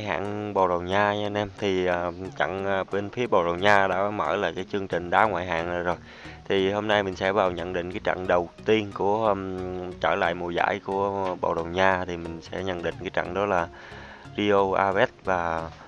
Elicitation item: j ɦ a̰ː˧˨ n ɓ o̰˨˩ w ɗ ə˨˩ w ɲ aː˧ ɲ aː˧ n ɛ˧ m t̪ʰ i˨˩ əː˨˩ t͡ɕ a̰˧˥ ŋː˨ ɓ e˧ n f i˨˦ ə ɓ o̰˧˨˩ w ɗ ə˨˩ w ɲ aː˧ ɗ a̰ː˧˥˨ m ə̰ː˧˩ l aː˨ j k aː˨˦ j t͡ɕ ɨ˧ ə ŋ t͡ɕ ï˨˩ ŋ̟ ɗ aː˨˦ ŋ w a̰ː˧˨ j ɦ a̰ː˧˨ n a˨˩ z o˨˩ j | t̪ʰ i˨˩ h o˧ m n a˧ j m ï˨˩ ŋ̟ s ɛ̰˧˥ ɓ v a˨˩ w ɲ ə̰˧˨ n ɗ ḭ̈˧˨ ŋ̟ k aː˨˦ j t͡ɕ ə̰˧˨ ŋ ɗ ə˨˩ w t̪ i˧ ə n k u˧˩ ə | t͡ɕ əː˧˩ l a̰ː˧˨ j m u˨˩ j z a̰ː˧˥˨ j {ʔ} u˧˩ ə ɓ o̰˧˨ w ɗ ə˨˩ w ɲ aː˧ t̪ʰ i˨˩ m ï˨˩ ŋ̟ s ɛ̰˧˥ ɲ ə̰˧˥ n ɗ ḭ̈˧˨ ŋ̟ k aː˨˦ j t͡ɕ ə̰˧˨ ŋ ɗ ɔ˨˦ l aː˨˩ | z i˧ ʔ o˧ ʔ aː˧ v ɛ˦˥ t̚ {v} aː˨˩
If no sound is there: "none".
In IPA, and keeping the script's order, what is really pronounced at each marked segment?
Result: k, v

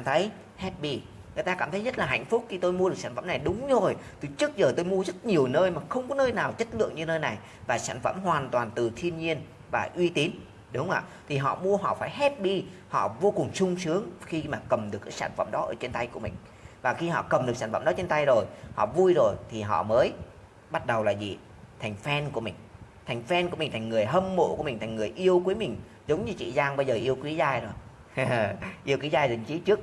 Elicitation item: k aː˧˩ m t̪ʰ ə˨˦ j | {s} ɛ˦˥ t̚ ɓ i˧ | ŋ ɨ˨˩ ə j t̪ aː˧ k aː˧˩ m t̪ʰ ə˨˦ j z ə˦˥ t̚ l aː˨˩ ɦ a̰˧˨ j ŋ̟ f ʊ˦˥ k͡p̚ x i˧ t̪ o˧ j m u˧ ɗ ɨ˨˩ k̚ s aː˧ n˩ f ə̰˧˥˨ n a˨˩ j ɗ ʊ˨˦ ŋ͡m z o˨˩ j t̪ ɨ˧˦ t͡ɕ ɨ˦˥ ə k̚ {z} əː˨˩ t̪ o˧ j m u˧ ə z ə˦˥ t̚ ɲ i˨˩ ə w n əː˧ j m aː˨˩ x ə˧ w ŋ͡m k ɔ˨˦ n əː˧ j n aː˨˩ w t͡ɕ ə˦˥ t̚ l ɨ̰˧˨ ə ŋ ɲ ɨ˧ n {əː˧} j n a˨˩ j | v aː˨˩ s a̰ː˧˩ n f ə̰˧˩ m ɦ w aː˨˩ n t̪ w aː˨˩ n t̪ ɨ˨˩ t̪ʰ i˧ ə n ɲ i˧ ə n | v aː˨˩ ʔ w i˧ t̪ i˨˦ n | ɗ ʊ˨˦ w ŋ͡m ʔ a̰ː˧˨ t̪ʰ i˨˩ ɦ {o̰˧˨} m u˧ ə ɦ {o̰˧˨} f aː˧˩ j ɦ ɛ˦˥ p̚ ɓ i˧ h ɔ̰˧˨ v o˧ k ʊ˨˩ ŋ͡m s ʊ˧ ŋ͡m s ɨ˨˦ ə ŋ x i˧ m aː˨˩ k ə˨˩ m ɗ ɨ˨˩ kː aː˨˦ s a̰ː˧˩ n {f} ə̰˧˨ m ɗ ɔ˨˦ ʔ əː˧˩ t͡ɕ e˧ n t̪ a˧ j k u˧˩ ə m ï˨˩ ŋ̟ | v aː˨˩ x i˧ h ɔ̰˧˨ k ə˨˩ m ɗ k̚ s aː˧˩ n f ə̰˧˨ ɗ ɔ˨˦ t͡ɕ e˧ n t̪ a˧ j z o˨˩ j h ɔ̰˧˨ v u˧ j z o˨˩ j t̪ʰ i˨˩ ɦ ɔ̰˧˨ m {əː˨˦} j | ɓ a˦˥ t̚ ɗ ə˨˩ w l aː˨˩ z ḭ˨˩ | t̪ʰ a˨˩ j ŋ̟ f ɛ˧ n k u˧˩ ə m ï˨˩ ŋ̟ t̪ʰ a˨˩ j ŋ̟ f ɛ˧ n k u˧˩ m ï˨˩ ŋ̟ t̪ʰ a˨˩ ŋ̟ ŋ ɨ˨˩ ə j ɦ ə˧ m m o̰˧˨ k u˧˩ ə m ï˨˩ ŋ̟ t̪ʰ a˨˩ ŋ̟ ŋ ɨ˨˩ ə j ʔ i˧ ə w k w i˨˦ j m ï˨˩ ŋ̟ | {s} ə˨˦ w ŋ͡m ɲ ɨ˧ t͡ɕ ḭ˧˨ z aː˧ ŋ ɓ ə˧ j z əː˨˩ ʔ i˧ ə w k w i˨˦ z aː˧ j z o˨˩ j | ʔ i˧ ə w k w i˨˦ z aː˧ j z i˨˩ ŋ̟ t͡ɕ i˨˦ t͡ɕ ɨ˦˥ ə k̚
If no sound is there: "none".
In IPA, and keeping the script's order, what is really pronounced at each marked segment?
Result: h, z, əː˧, ɔ̰˧˨, ɔ̰˧˨, f, əː˨˦, z

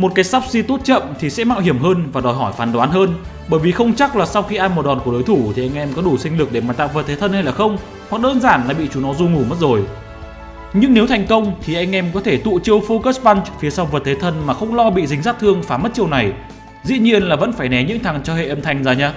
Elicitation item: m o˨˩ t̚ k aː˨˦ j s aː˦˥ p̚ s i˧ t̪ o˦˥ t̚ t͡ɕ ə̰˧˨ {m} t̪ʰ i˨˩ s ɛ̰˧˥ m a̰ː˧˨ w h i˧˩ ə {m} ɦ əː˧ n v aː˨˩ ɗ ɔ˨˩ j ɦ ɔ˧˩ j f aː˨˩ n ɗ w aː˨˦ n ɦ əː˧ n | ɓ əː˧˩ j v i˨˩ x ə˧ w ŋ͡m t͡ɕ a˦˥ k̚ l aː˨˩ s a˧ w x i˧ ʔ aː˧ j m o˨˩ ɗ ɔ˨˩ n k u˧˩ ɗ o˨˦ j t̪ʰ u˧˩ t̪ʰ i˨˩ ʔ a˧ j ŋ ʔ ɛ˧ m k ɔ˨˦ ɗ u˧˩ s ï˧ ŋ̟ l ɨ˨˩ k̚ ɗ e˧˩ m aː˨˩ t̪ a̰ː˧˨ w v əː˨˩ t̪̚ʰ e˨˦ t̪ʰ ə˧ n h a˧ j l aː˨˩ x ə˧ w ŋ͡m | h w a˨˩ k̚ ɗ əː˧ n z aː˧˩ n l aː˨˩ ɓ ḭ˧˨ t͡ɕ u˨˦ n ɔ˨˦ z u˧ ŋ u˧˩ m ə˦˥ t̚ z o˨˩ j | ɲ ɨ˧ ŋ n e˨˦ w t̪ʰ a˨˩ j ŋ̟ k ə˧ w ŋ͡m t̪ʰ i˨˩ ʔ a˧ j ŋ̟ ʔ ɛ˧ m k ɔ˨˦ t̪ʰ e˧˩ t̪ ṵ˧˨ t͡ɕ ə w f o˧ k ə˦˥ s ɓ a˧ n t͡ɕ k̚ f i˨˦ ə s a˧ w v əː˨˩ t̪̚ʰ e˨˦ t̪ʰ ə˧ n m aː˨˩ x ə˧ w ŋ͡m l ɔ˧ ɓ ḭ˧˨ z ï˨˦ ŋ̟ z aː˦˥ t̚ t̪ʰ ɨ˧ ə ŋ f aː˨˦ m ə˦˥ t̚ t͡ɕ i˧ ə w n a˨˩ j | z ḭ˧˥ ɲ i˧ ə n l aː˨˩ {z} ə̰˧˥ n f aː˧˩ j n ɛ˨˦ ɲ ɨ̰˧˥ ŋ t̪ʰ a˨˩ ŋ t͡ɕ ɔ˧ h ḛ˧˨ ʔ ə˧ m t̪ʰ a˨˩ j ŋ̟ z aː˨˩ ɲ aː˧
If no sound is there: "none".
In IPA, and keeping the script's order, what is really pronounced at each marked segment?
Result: m, m, v

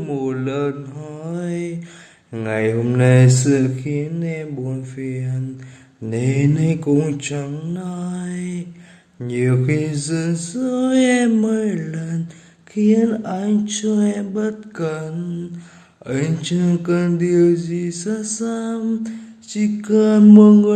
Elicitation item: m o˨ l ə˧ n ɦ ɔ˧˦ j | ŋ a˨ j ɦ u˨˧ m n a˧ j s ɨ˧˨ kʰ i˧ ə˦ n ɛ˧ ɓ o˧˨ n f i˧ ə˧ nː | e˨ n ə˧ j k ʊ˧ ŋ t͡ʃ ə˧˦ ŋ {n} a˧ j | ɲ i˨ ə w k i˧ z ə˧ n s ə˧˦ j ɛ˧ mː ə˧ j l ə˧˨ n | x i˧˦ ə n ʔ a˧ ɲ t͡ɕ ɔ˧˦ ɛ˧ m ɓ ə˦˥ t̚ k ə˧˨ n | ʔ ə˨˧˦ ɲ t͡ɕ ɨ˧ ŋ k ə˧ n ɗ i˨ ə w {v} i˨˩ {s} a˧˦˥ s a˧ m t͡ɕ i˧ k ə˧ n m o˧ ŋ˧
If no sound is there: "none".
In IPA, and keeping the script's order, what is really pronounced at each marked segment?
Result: n, z, s

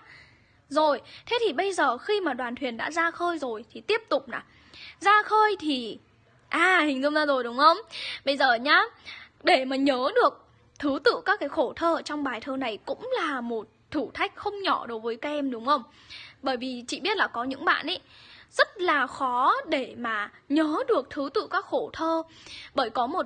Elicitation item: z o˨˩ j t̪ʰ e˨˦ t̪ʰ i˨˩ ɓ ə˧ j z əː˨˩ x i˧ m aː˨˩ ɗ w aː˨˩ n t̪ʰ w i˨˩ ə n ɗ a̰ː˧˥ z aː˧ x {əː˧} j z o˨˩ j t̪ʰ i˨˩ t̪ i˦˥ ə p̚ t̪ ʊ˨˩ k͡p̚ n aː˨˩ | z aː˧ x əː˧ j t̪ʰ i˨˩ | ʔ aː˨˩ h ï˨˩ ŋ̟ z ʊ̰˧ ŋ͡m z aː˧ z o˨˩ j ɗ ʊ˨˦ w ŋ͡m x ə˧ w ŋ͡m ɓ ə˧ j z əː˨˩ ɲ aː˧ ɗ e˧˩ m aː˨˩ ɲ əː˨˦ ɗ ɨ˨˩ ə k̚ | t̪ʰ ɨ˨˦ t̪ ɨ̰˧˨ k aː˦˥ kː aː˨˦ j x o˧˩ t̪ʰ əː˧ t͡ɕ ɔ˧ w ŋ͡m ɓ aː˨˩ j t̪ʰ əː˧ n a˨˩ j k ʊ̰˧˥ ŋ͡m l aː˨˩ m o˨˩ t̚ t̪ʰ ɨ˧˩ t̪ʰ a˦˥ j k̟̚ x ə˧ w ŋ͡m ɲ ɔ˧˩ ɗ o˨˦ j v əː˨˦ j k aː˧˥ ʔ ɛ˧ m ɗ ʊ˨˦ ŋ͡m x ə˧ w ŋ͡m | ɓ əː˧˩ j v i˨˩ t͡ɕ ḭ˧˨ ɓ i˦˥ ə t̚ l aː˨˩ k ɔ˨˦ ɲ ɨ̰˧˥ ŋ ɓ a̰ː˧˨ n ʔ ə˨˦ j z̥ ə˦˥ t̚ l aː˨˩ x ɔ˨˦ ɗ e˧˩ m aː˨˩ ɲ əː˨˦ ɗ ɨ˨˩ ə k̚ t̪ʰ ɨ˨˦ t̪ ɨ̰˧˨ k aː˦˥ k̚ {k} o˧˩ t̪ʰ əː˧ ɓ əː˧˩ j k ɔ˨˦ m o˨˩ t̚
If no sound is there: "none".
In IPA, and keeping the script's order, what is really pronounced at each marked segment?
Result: əː˧, x

